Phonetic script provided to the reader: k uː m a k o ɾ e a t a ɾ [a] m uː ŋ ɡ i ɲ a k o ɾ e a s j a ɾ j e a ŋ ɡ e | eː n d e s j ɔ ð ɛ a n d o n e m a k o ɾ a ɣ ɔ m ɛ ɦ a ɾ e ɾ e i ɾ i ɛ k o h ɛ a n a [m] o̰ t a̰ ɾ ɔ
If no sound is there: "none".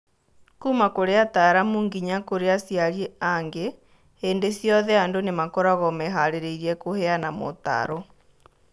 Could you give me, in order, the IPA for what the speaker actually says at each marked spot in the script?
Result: a, m

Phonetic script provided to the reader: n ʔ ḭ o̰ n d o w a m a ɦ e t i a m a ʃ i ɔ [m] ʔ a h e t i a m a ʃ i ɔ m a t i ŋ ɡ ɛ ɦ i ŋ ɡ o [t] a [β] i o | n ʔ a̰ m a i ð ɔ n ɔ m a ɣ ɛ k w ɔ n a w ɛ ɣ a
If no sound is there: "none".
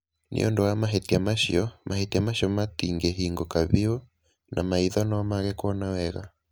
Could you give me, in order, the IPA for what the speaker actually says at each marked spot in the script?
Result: m, k, β

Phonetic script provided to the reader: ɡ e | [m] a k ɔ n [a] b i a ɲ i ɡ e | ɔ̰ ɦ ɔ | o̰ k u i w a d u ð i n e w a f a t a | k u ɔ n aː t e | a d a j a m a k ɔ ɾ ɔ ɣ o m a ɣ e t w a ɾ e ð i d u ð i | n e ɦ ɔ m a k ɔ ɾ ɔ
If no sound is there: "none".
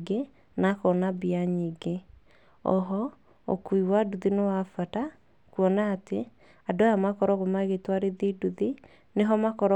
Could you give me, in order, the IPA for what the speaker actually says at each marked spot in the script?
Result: n, a

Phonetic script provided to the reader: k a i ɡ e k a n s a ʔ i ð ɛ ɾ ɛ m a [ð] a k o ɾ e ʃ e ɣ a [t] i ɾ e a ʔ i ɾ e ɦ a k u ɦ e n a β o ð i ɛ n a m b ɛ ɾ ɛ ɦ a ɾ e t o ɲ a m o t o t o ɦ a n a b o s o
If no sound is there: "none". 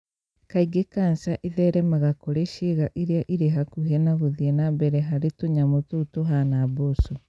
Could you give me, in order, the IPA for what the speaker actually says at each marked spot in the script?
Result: ɣ, ʔ

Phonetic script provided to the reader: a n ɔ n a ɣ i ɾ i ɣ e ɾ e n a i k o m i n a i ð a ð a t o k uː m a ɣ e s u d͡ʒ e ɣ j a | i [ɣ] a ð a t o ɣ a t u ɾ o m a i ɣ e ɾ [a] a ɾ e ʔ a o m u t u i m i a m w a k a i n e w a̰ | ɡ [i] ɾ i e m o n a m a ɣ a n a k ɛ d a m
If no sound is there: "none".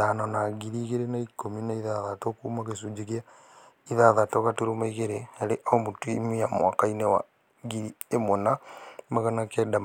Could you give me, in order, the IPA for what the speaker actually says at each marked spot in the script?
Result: ð, e, i

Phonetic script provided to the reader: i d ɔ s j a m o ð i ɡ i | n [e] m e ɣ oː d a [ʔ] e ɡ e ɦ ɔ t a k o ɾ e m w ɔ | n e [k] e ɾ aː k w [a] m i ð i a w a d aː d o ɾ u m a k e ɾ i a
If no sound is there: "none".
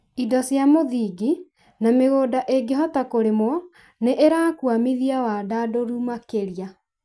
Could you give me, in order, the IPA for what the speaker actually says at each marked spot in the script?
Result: a, ʔ, ʔ, a

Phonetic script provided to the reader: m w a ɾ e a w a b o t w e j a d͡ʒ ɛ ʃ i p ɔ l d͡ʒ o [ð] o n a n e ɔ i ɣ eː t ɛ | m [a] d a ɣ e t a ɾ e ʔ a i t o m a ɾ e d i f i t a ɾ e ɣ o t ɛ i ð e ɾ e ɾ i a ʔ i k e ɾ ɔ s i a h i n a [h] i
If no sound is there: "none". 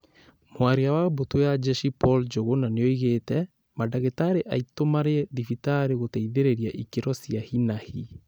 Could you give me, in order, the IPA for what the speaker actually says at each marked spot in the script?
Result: ɣ, a, h

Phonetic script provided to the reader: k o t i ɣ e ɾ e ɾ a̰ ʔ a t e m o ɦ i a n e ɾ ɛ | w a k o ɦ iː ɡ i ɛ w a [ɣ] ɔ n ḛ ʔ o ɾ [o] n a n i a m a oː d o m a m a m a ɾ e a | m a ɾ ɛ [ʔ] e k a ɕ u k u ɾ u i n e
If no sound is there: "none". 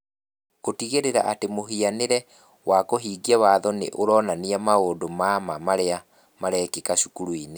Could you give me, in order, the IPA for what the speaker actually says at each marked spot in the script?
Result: ð, ɔ, k

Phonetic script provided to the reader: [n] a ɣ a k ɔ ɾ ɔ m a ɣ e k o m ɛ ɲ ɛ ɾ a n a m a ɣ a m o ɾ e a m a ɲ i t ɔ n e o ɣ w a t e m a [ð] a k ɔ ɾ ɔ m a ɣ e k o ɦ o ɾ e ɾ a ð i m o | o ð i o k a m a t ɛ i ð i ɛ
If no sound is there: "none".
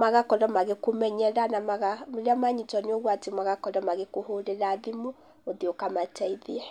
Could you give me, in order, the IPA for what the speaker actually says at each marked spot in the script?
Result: m, ɣ

